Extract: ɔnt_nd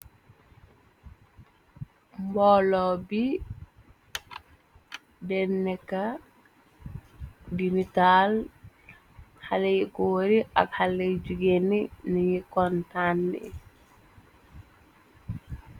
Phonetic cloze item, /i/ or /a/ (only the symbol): a